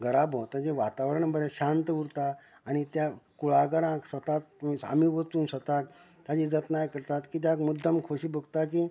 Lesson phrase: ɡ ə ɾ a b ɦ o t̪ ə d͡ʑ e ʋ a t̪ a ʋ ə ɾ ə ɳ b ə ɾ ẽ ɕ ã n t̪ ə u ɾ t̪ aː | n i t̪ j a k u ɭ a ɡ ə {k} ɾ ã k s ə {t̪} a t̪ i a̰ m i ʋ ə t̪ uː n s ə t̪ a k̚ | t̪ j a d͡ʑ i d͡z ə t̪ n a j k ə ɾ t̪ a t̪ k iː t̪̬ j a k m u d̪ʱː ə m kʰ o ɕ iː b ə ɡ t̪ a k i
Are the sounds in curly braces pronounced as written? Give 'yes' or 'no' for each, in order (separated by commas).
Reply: no, yes